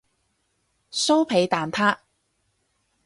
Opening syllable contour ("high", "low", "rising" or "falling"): high